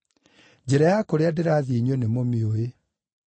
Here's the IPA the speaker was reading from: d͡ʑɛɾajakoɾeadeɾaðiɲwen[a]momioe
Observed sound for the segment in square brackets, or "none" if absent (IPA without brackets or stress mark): e